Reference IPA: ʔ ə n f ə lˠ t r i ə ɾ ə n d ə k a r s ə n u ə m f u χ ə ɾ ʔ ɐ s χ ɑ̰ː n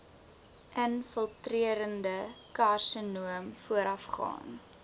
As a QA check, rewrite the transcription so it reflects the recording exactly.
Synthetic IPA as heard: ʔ ə n f ə lˠ t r i ə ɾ ə n d ə k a r s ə n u ə m f u ə ɾ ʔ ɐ f χ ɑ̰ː n